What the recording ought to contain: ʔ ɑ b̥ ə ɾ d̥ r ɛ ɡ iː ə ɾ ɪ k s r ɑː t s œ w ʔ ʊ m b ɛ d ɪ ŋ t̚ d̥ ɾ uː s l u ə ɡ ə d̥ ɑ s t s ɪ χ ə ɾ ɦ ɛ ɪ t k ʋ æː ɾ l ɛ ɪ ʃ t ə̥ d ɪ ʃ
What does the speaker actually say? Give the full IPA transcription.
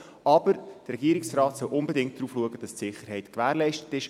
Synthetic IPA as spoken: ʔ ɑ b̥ ə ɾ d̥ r ɛ ɡ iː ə ɾ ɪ k s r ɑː t s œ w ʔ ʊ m b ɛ d ɪ ŋ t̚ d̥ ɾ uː f l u ə ɡ ə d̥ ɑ s t s ɪ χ ə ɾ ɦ ɛ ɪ t k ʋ æː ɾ l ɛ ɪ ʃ t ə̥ t ɪ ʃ